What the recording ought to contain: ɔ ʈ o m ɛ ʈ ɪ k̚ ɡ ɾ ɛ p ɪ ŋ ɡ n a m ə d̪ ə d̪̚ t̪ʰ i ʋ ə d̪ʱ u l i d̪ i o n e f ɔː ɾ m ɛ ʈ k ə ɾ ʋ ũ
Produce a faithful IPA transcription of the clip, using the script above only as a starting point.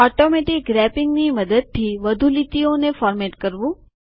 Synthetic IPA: ɔ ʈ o m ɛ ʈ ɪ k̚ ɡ ɾ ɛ p ɪ ŋ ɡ n i m ə d̪ ə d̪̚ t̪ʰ i ʋ ə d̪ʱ u l i t̪ i o n e f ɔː ɾ m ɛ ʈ k ə ɾ ʋ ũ